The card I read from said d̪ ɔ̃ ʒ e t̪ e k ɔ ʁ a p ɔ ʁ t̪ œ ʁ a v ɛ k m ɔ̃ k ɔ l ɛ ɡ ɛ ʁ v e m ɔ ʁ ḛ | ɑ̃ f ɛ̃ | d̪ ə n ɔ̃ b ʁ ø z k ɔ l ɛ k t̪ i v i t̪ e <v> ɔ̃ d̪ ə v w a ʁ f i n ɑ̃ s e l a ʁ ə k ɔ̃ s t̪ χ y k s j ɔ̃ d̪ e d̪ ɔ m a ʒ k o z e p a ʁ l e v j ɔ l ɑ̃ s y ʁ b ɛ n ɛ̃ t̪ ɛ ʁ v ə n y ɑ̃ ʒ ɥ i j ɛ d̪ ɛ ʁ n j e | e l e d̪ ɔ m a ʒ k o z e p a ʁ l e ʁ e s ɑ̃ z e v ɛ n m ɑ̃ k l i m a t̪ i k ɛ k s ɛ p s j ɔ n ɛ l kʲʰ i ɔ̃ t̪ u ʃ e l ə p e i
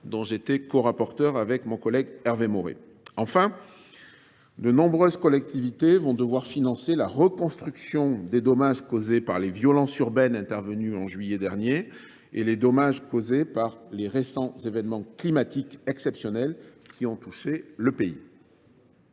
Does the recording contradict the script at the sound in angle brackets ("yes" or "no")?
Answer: no